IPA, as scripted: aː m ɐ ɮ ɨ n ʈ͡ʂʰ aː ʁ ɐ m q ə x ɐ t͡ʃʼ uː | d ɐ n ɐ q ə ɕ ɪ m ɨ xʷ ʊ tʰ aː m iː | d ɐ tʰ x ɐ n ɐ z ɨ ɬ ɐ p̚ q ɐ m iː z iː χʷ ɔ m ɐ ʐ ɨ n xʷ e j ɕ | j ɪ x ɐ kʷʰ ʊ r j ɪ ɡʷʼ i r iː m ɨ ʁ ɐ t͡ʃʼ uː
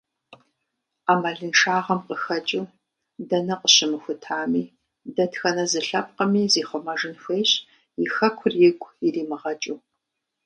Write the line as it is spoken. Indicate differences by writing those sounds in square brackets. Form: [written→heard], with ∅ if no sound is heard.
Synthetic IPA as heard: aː m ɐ ɮ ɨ n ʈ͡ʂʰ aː ʁ ɐ m q ə x ɐ t͡ʃʼ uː | d ɐ n ɐ q ə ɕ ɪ m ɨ xʷ ʊ tʰ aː m iː | d ɐ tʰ x ɐ n ɐ z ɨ ɬ ɐ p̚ q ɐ m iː z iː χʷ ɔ m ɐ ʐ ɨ n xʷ e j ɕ | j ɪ x ɐ kʷʰ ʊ r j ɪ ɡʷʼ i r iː m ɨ ʁ ɐ t͡ʃʼ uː